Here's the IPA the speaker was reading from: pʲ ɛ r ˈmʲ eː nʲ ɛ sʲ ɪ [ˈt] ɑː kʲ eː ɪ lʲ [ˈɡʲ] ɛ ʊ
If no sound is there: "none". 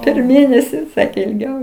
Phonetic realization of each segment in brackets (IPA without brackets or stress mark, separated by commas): s, ɡʲ